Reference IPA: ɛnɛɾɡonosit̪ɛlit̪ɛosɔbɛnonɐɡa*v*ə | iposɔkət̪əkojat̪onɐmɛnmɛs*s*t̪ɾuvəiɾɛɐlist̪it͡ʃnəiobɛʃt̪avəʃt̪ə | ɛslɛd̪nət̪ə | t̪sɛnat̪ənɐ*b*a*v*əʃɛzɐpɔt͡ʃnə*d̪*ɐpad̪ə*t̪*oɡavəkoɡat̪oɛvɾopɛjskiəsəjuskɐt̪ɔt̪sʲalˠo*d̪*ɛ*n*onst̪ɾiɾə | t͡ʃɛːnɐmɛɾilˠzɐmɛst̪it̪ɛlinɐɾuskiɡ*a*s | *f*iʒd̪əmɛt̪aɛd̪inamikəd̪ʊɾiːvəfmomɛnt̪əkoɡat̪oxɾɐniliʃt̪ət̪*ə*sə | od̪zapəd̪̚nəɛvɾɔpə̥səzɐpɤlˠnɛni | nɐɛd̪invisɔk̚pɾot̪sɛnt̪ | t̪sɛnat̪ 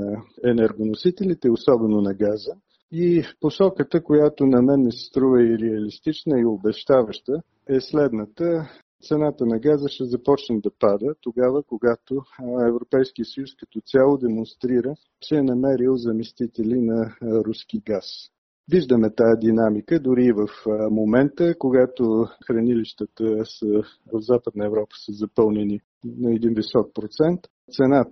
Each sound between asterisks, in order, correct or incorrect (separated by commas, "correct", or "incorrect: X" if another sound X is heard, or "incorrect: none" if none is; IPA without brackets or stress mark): incorrect: z, correct, incorrect: ɡ, incorrect: z, correct, correct, correct, incorrect: m, correct, incorrect: v, correct